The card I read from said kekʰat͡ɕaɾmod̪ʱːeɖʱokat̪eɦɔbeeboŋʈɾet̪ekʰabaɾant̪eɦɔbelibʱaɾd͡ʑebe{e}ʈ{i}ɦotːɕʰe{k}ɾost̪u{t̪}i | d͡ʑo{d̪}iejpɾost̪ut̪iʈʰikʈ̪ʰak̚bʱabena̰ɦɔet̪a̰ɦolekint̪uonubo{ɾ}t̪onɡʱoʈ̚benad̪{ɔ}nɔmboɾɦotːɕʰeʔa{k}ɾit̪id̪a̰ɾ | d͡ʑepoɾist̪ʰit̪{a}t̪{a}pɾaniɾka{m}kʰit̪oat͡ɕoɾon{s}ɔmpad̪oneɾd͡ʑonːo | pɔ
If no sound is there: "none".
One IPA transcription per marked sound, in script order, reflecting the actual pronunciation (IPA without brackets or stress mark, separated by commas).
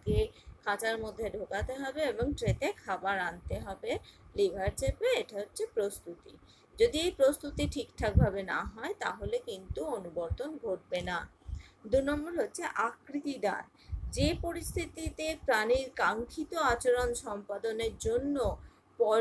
e, a, p, t̪, d̪, ɾ, u, k, i, e, ŋ, ʃ